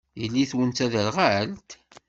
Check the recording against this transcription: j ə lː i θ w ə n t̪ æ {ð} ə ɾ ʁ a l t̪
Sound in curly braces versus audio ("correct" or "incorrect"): correct